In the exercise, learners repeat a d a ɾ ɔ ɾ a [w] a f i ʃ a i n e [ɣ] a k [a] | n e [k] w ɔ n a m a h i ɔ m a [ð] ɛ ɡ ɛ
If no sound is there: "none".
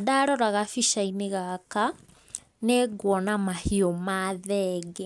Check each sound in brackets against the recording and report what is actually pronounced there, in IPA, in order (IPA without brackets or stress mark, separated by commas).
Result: ɣ, ɣ, a, ɡ, ð